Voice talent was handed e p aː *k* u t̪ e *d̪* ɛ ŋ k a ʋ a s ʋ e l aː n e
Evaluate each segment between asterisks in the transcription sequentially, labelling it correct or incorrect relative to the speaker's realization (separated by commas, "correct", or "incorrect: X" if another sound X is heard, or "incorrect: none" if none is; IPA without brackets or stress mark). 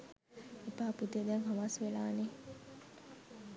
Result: incorrect: p, correct